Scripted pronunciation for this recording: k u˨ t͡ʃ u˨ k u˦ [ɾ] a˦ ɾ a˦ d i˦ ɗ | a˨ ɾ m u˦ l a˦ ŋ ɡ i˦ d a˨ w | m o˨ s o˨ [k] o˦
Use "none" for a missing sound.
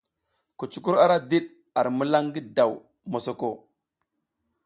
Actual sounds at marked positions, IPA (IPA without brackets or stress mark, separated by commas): ɾ, k